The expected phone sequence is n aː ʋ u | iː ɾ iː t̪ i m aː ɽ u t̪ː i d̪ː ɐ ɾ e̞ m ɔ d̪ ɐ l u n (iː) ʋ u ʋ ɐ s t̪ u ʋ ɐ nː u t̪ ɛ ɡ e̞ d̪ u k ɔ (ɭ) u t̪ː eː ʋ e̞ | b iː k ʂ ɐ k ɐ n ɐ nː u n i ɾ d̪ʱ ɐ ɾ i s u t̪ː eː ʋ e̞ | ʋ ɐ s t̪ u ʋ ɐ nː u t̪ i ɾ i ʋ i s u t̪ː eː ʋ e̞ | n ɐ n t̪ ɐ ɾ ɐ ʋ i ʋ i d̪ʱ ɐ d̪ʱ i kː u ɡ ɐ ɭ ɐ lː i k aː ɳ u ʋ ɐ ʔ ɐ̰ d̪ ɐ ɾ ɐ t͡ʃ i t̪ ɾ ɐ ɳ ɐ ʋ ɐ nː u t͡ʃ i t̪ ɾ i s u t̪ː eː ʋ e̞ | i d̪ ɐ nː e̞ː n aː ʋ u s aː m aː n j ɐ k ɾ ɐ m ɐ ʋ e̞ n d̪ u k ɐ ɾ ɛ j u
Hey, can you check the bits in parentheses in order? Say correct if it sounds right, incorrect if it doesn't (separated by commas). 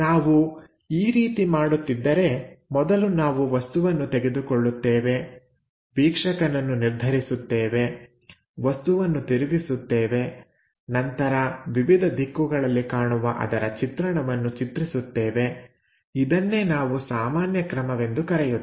incorrect, incorrect